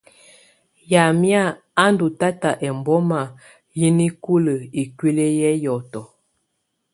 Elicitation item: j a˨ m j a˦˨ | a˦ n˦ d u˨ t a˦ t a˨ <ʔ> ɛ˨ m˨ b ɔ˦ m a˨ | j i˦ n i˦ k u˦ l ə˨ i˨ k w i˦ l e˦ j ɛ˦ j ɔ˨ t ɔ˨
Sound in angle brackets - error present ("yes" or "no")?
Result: no